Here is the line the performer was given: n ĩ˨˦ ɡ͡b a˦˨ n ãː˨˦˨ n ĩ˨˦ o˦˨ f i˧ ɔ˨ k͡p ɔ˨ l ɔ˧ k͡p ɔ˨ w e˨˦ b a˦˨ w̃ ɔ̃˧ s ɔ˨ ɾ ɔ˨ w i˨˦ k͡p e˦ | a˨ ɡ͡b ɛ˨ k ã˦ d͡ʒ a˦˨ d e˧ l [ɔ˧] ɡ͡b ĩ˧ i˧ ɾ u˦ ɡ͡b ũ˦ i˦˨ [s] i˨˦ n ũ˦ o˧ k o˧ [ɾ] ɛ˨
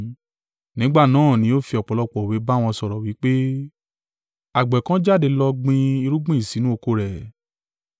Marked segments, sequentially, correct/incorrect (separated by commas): correct, correct, correct